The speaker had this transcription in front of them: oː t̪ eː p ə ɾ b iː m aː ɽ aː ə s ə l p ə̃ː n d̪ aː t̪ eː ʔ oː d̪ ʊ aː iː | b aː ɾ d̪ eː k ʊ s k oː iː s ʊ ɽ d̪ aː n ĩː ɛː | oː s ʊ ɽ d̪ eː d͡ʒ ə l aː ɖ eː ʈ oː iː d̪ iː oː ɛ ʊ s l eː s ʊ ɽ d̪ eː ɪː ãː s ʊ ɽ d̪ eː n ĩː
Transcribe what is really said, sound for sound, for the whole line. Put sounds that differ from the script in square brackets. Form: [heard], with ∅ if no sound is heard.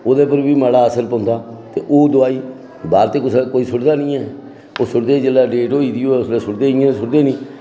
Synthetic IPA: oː [d̪] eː p ə ɾ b iː m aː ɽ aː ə s ə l p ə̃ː n d̪ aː t̪ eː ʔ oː d̪ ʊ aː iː | b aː ɾ [t̪] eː k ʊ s k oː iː s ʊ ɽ d̪ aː n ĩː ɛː | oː s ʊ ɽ d̪ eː d͡ʒ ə l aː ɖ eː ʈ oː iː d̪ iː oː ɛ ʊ s l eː s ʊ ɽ d̪ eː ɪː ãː s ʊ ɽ d̪ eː n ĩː